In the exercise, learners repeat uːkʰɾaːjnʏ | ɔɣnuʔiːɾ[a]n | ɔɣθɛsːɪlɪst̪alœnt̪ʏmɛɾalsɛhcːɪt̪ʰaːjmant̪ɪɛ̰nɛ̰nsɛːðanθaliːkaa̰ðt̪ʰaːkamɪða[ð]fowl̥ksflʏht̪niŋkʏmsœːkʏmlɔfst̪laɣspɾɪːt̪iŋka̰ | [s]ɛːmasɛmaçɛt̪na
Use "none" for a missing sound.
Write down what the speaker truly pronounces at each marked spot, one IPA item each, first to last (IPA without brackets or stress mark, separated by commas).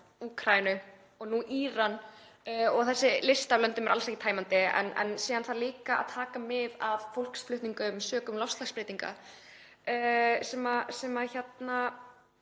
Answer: a, v, s